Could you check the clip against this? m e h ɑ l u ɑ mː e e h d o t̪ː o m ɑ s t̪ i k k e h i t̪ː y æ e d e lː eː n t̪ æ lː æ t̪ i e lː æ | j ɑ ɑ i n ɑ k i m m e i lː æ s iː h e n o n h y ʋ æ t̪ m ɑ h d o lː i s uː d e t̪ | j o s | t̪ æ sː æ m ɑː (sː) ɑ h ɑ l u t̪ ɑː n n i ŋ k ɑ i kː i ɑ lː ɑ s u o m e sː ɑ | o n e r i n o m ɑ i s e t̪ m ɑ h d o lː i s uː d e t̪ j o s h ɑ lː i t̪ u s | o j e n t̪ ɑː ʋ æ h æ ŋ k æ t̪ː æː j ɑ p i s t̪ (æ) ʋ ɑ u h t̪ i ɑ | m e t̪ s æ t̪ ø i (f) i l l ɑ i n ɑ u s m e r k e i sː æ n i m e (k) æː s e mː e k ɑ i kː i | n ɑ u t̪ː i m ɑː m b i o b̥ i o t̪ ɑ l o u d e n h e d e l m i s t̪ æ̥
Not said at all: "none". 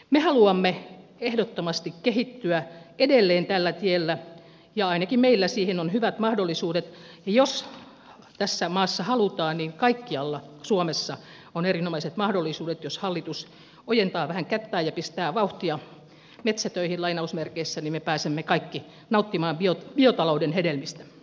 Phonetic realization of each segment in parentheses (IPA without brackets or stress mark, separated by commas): sː, æː, h, p